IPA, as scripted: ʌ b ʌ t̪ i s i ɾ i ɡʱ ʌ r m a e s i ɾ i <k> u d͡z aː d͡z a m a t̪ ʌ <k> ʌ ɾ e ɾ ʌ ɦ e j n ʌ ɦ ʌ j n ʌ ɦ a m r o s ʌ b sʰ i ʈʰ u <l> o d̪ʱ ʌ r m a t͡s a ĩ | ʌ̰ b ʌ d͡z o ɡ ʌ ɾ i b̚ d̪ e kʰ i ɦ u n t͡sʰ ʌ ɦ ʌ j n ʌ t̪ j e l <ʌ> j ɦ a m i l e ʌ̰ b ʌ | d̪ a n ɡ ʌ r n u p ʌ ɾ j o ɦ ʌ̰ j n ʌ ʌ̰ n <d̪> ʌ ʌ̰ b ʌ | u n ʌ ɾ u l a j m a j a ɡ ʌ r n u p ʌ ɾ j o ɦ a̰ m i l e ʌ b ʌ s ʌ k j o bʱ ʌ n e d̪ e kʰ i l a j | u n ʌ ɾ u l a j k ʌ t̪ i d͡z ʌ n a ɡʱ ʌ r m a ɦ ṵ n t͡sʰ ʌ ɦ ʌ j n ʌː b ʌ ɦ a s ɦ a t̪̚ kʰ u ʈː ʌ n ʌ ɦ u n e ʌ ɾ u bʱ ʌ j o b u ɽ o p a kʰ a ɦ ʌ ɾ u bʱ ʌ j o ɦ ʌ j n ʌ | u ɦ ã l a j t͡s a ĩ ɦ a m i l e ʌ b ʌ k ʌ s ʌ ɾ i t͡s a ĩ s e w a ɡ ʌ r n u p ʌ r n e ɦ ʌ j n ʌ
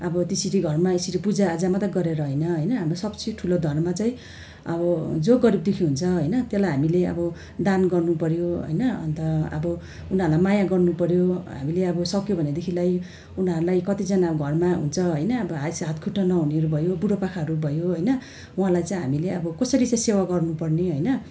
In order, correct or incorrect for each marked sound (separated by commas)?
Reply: incorrect, incorrect, correct, incorrect, incorrect